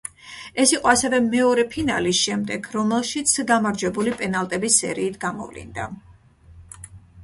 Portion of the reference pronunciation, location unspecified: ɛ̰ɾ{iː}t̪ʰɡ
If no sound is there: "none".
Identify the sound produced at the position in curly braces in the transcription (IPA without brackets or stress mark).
iː